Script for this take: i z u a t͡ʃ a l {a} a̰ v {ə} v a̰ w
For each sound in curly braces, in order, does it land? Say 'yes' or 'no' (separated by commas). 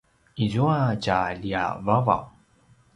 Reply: no, no